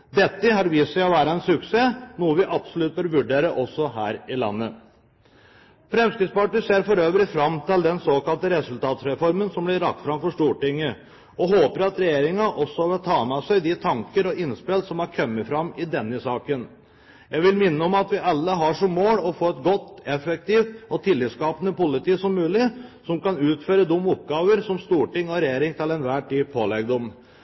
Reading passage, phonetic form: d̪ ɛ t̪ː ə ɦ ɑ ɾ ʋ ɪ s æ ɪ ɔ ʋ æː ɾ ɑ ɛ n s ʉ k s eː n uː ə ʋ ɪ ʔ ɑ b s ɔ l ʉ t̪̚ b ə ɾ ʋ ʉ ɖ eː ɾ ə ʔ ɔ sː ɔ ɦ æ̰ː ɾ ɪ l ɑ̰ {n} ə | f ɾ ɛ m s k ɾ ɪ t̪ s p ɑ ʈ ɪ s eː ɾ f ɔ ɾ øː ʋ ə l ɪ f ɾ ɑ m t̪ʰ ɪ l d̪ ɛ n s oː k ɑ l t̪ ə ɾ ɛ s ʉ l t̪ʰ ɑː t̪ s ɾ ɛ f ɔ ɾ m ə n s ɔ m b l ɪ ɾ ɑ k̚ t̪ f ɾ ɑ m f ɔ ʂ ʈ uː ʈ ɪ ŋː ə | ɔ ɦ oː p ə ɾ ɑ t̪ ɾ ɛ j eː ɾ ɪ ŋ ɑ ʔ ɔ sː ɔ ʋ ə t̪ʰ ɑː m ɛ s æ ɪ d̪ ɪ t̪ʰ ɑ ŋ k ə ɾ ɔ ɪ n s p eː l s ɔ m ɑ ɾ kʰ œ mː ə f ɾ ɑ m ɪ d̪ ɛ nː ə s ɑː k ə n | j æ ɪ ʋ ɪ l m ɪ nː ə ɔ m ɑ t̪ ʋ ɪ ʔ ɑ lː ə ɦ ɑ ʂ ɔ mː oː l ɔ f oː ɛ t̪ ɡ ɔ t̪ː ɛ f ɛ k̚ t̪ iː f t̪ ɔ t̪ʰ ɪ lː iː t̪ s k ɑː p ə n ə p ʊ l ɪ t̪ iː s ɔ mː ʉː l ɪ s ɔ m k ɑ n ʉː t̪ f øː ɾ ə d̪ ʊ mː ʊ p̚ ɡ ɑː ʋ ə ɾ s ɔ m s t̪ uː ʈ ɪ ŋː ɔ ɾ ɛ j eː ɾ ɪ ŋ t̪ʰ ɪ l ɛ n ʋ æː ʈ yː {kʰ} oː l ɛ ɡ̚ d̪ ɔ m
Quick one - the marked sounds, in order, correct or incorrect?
incorrect, incorrect

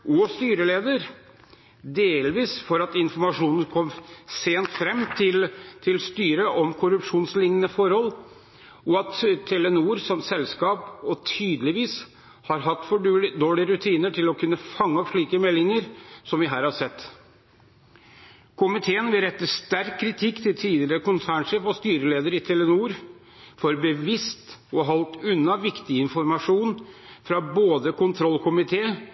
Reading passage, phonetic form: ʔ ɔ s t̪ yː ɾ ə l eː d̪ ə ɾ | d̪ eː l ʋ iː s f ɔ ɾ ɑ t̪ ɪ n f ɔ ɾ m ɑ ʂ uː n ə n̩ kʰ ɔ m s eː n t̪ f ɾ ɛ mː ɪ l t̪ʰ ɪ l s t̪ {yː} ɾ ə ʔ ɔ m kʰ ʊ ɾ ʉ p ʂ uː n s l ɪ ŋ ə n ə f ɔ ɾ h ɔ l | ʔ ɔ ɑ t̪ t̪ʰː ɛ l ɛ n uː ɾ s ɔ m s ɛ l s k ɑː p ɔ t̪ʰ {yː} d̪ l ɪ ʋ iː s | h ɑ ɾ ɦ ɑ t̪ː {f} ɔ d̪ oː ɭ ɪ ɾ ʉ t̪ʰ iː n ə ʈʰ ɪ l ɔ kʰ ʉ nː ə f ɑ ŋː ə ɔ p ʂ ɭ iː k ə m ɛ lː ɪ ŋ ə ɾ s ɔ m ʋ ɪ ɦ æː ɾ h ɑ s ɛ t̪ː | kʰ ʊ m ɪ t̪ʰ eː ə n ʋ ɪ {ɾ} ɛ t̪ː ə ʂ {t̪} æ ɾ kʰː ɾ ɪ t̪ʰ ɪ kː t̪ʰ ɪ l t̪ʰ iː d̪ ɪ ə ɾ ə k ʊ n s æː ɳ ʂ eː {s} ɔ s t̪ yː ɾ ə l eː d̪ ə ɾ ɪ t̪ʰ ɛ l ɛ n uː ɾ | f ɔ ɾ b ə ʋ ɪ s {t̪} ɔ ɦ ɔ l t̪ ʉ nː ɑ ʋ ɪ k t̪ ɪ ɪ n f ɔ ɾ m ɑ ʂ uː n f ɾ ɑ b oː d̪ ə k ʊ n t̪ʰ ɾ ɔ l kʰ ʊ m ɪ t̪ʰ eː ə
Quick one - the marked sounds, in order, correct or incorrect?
correct, correct, correct, correct, correct, incorrect, correct

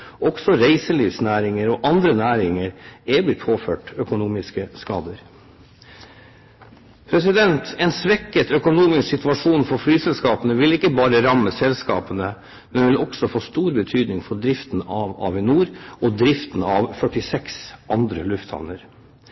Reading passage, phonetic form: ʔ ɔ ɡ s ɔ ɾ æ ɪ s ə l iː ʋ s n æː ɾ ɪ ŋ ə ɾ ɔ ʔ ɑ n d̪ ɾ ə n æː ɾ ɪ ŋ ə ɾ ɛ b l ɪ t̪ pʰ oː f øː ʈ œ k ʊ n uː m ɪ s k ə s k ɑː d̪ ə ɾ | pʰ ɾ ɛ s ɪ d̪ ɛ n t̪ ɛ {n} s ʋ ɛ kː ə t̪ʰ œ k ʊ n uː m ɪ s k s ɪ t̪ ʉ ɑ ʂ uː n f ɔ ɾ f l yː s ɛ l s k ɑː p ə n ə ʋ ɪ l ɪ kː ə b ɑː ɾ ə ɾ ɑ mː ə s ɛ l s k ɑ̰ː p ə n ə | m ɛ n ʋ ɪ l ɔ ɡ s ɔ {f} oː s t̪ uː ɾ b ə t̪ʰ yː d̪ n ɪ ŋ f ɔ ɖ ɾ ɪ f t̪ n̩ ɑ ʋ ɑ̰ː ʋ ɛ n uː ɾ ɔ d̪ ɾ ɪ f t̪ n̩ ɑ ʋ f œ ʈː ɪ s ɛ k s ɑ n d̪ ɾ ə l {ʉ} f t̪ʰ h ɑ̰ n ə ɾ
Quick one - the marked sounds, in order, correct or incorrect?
correct, correct, correct

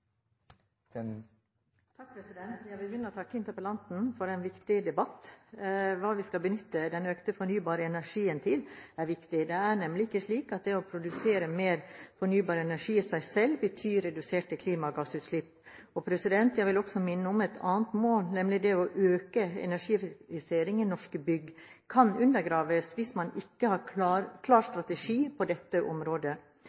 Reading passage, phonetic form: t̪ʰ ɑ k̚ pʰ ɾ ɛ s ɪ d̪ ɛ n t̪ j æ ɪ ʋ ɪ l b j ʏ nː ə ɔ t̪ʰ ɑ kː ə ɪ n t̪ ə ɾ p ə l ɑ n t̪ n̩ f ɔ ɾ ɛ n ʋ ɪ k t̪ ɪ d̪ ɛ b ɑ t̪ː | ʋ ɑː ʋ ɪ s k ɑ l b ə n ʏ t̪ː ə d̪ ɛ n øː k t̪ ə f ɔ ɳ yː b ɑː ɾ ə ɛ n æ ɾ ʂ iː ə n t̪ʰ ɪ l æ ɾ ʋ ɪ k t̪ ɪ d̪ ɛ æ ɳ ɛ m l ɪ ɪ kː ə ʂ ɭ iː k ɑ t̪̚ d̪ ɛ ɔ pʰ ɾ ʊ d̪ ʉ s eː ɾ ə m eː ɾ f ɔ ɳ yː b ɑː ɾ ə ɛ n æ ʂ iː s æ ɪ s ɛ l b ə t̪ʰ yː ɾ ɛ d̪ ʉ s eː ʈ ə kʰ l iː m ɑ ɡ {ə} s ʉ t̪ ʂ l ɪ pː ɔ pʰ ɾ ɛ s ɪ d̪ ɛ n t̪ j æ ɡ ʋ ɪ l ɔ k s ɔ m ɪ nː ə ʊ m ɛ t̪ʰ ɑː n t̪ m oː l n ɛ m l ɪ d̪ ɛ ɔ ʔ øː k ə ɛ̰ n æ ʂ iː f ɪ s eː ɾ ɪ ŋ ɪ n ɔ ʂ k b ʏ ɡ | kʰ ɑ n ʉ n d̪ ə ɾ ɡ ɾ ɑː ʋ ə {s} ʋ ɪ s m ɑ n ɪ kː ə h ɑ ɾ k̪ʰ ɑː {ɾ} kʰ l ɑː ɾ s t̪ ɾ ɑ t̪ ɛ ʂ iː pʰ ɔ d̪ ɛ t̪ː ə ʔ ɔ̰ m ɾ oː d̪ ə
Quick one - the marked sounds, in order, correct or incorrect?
incorrect, correct, correct

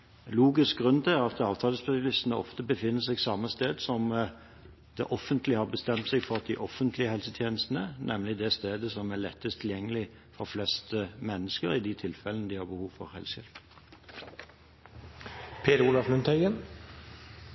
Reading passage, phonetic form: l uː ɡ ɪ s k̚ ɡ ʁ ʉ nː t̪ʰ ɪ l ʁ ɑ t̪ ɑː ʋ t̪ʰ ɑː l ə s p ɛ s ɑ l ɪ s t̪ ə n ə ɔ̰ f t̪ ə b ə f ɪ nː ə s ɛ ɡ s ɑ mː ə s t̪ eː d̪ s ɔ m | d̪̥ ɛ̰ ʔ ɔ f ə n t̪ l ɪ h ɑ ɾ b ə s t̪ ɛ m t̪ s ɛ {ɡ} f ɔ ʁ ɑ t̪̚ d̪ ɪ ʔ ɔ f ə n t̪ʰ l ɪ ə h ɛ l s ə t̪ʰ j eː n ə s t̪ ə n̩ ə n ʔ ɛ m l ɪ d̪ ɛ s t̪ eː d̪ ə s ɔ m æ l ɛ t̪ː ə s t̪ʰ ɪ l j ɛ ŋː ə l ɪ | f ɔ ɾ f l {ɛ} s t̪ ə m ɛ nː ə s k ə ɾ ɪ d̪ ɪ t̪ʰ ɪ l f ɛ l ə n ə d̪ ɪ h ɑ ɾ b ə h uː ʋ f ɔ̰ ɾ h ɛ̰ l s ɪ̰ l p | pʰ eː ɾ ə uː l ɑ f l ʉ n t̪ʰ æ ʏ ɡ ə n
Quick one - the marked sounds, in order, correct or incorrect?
correct, correct

